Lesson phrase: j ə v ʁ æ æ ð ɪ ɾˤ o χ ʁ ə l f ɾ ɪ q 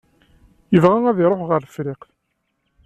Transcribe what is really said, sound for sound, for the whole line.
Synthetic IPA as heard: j ə v ʁ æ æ ð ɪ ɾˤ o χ ʁ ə ɾ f ɾ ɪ q